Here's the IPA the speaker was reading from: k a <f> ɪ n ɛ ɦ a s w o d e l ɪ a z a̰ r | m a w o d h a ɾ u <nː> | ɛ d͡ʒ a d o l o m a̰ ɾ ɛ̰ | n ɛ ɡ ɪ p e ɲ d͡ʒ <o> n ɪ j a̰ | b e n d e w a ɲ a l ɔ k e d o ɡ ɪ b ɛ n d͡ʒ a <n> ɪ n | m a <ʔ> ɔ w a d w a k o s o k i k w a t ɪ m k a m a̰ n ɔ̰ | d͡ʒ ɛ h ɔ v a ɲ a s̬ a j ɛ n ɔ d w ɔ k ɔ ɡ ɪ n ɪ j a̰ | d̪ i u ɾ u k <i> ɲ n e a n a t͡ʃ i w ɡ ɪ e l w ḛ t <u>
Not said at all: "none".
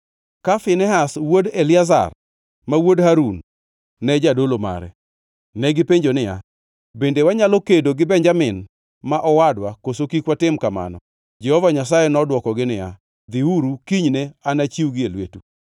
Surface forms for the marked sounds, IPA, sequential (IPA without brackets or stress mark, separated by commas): f, nː, o, m, ʔ, i, u